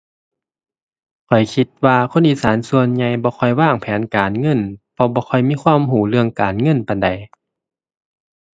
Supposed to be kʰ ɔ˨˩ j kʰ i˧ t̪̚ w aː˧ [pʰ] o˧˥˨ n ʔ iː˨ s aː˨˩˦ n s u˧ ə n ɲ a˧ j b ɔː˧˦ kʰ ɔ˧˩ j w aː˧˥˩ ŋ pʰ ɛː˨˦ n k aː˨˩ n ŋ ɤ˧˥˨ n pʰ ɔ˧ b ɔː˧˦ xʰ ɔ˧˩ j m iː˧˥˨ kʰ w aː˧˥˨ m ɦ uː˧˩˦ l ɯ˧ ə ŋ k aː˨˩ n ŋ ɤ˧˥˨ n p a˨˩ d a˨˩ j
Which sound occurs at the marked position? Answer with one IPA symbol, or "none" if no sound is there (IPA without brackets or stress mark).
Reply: kʰ